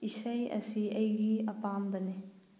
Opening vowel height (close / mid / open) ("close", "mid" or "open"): close